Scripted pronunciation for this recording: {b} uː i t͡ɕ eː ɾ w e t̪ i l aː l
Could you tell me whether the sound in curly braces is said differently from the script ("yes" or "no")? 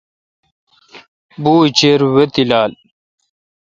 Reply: no